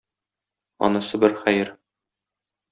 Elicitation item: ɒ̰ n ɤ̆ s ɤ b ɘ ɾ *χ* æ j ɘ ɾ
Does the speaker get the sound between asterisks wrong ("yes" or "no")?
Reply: no